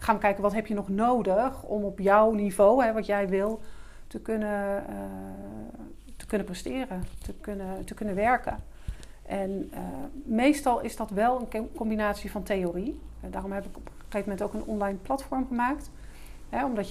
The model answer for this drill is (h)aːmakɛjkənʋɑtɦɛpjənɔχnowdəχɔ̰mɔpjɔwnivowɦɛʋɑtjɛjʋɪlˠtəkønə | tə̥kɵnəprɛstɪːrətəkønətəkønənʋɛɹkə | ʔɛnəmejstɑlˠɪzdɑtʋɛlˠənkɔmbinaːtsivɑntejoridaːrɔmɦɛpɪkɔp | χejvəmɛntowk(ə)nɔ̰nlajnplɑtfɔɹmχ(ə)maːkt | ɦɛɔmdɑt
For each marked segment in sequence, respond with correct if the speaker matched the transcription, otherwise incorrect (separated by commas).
incorrect, correct, correct